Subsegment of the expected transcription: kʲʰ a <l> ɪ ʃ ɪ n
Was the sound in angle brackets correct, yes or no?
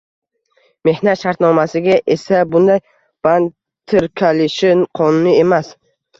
yes